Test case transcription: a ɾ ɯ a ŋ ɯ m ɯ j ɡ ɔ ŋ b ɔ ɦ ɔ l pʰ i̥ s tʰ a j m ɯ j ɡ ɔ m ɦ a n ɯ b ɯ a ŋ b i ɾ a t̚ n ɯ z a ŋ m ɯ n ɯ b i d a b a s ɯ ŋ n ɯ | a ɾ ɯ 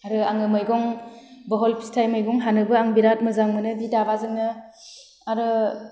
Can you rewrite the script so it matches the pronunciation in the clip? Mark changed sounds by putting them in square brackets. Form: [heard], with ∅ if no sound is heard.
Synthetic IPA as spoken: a ɾ ɯ a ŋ ɯ m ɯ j ɡ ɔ ŋ b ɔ ɦ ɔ l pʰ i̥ s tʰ a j m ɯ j ɡ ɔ [ŋ] ɦ a n ɯ b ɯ a ŋ b i ɾ a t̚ [m] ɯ z a ŋ m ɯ n ɯ b i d a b a [z] ɯ ŋ n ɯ | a ɾ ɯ